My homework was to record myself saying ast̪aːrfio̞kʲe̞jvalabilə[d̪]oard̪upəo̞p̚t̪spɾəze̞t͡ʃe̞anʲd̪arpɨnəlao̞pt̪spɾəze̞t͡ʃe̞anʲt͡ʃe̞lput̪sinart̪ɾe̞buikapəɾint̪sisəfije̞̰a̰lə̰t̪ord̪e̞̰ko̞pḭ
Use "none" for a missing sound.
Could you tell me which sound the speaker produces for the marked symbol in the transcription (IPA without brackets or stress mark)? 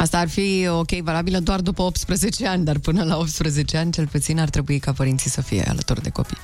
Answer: d̪